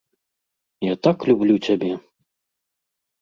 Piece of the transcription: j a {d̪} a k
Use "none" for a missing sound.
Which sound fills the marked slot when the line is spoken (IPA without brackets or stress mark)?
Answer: t̪